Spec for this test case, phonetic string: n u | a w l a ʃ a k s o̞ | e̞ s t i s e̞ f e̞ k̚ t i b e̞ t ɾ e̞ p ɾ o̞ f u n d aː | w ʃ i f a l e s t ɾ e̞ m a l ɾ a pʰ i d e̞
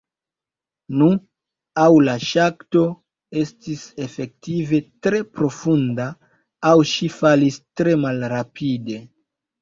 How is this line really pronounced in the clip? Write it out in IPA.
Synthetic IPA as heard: n u | a w l a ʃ a k t o̞ | e̞ s t i s e̞ f e̞ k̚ t i v e̞ t ɾ e̞ p ɾ o̞ f u n d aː | w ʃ i f a l i s t ɾ e̞ m a l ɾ a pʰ i d e̞